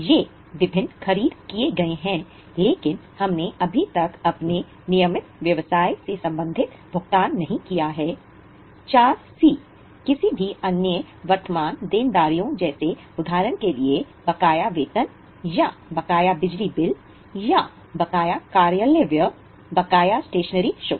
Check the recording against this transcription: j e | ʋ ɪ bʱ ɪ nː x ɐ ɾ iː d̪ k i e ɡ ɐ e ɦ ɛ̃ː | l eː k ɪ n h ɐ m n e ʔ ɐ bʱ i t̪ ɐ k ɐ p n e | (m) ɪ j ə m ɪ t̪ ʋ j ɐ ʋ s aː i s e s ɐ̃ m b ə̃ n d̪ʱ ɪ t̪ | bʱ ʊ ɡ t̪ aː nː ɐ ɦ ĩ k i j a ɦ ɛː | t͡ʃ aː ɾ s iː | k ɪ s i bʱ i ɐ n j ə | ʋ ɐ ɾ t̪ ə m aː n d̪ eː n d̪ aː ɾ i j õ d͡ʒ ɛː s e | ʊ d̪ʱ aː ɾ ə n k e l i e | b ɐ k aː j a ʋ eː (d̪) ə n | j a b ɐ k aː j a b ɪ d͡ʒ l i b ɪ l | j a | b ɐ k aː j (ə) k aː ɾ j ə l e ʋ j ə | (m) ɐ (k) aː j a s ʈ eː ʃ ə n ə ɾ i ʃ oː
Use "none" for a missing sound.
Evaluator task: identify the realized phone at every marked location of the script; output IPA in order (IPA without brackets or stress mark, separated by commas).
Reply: n, t̪, a, b, k